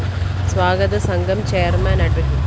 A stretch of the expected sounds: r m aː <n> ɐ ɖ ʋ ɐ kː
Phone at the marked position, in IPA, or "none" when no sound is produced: n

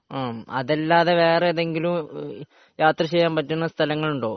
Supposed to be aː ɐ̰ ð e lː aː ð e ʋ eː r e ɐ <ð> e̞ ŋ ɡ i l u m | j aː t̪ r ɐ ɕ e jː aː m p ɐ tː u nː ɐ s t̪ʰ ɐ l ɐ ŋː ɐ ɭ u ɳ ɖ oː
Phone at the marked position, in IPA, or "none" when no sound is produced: ð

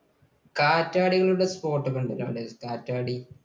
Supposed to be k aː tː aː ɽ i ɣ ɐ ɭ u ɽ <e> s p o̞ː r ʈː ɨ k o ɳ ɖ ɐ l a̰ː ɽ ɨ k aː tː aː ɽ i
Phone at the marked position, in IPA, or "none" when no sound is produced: e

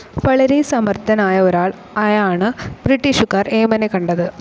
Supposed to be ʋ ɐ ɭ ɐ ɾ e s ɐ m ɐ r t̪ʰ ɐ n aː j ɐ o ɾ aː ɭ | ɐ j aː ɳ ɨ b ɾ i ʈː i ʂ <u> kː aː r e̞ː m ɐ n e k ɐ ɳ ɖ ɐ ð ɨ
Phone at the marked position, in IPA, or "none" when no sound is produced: u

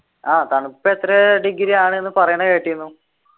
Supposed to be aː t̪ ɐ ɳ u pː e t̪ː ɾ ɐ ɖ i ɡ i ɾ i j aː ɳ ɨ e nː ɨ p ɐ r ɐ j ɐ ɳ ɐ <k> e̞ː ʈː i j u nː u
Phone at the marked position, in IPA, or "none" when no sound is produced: k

